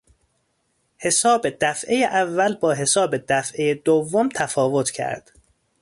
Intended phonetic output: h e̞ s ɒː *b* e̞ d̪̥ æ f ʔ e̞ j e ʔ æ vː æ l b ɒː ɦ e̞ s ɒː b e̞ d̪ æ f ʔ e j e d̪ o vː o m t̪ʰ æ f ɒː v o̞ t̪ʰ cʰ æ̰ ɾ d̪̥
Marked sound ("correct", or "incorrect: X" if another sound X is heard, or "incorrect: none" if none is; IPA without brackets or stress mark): correct